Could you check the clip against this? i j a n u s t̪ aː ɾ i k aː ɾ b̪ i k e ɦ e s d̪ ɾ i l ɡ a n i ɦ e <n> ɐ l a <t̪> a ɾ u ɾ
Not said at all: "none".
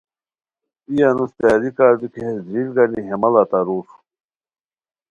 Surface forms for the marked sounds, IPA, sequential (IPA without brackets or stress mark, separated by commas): m, t̪